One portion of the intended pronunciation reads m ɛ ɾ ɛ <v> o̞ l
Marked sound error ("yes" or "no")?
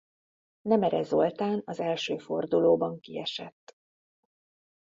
yes